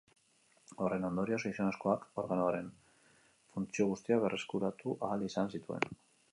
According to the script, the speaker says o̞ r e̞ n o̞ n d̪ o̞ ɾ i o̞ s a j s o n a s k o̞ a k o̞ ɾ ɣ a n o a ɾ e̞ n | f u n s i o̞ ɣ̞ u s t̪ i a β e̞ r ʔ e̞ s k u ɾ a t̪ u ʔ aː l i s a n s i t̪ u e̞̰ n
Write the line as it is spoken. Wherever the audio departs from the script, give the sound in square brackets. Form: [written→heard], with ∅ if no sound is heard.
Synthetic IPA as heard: o̞ r e̞ n o̞ n d̪ o̞ ɾ i o̞ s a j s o n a s k o̞ a k o̞ ɾ ɣ a n o a ɾ e̞ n | f u n [s→t͡s] i o̞ ɣ̞ u s t̪ i a β e̞ r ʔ e̞ s k u ɾ a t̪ u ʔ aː l i s a n s i t̪ u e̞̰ n